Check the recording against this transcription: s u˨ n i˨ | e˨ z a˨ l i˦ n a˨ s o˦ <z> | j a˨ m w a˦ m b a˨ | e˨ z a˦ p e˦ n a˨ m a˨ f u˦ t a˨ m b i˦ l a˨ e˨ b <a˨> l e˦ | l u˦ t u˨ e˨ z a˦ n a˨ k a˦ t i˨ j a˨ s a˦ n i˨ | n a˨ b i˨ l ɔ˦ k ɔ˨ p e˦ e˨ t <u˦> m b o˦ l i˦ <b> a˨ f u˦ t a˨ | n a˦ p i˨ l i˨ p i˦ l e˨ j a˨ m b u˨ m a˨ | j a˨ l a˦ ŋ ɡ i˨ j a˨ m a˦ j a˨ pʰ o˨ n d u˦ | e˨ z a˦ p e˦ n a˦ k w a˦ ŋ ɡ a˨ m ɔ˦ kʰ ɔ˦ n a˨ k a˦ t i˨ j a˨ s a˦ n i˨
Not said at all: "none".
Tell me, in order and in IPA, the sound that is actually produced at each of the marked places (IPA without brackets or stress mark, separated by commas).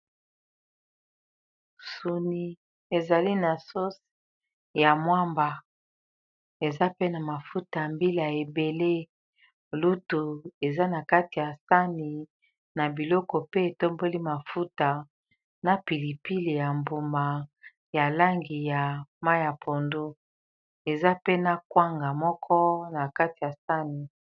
s, e˨, o˦, m